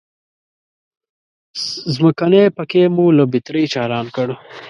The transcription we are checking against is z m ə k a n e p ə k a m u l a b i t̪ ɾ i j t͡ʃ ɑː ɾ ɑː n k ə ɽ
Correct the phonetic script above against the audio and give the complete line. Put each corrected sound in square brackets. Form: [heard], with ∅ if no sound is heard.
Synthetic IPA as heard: z m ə k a n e p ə k [e] m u l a b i t̪ ɾ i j t͡ʃ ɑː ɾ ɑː n k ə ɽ